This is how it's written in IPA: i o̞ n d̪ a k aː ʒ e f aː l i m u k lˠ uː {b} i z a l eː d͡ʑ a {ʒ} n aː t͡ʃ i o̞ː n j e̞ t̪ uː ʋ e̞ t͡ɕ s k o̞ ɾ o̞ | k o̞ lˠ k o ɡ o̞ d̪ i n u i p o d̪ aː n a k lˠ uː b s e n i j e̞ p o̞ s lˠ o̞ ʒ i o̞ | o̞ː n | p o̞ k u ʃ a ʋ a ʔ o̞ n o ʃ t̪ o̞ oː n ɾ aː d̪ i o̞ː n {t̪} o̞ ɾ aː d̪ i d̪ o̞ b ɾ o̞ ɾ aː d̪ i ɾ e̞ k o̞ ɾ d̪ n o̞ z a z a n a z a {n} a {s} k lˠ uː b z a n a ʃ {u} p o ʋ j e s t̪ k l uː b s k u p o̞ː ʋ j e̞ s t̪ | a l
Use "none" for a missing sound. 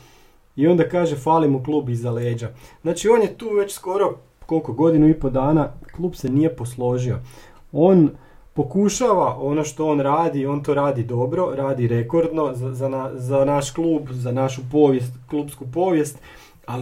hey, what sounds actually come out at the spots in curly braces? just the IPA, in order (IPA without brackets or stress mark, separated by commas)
b, z, t̪, n, ʃ, u